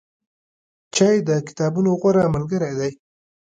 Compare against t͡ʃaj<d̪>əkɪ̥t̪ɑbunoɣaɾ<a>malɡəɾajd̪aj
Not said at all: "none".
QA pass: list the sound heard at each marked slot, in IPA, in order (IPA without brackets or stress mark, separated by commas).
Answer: d̪, a